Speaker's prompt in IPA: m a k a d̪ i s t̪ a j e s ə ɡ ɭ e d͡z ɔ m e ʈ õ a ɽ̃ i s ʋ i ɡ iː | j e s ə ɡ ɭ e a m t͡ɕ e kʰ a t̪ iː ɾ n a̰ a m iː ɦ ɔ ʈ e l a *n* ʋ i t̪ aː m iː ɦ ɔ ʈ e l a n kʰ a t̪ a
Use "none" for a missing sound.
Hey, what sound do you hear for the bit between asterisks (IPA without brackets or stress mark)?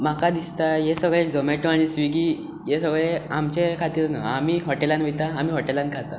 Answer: n